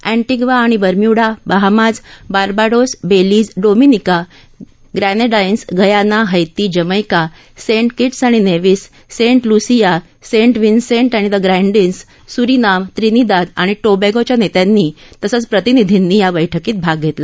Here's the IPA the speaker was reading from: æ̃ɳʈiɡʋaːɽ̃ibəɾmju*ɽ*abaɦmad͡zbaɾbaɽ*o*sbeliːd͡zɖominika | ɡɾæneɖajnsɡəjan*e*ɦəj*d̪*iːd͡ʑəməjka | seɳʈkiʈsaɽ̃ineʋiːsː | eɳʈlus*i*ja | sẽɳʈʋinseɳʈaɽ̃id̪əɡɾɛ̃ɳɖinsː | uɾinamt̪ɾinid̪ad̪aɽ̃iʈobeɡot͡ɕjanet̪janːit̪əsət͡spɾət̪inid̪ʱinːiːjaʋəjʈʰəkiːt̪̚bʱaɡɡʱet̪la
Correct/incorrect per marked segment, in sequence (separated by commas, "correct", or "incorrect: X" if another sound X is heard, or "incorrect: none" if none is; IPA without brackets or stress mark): correct, correct, incorrect: a, incorrect: t̪, correct